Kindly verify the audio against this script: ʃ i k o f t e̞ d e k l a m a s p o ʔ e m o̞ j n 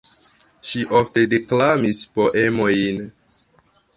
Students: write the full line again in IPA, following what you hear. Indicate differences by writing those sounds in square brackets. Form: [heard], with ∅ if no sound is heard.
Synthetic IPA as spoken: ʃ i [ʔ] o f t e̞ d e k l a m [i] s p o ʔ e m o̞ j n